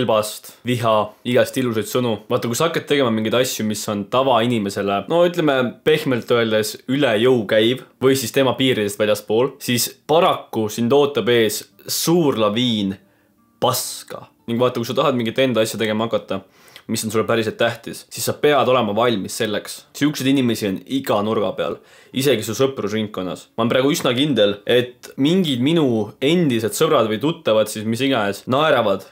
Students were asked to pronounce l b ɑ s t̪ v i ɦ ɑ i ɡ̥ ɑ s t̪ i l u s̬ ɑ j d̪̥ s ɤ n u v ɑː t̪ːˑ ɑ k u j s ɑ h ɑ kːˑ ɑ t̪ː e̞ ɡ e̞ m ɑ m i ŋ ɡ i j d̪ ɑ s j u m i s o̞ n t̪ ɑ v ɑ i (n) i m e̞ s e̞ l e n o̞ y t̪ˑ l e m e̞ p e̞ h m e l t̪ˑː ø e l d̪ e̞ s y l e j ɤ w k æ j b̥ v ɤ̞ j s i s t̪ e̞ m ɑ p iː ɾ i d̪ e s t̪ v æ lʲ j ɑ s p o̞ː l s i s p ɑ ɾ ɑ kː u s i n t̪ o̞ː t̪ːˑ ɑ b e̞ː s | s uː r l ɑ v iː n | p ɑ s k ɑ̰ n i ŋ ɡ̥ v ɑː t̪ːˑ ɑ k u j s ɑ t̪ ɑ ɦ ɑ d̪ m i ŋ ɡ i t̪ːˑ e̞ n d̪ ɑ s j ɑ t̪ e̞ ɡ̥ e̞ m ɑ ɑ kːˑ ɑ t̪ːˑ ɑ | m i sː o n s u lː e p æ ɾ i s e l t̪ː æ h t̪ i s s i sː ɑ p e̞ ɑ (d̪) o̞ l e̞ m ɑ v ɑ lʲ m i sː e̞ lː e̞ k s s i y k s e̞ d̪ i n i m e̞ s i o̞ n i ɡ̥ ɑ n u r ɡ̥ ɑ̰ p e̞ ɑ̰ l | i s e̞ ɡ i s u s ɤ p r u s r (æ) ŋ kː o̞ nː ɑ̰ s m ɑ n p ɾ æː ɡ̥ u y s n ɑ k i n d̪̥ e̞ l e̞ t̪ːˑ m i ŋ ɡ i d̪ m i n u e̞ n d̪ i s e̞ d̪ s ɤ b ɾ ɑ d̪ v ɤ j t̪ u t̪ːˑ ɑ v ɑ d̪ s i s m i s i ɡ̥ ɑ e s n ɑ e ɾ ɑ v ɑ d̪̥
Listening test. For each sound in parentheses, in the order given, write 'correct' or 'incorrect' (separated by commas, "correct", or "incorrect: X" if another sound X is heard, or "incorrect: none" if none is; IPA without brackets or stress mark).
correct, correct, incorrect: i